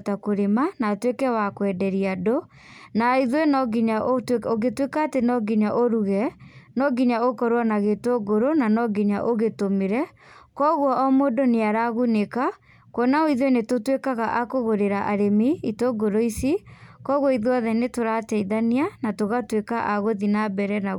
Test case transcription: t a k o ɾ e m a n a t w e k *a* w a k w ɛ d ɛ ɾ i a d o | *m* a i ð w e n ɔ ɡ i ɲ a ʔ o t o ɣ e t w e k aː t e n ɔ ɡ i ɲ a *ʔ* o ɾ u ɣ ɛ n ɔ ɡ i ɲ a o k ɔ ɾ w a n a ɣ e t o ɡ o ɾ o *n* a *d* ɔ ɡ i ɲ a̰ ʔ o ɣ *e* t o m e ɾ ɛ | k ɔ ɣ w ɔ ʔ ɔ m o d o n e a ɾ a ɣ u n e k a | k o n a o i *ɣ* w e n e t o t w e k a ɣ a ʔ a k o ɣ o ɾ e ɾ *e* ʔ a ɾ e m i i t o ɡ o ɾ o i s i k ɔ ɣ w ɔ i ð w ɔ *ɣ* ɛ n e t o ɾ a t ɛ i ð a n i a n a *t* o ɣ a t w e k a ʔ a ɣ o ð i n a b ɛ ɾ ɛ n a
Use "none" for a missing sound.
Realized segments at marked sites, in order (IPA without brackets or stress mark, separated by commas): ɛ, n, ʔ, n, n, e, ð, a, ð, t